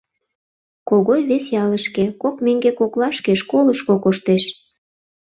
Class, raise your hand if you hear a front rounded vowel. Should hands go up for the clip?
no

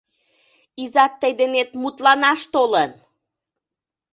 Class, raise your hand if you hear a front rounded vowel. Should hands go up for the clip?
no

